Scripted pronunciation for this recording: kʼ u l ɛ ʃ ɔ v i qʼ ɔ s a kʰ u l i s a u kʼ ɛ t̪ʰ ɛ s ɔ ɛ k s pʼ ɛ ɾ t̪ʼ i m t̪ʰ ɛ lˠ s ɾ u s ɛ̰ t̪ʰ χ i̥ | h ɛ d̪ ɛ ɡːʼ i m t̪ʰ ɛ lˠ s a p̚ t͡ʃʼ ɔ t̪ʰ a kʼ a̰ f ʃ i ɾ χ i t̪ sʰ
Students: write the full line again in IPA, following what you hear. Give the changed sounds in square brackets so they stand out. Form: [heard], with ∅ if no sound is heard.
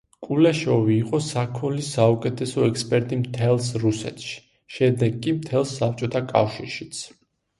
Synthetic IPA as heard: kʼ u l ɛ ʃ ɔ v [iː] qʼ ɔ s a kʰ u l i s a u kʼ ɛ t̪ʰ ɛ s ɔ ɛ k s pʼ ɛ ɾ t̪ʼ i m t̪ʰ ɛ lˠ s ɾ u s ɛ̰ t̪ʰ [ʃ] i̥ | [ʃ] ɛ d̪ ɛ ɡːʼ i m t̪ʰ ɛ lˠ s a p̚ t͡ʃʼ ɔ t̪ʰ a kʼ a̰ f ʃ i ɾ [ʃ] i t̪ sʰ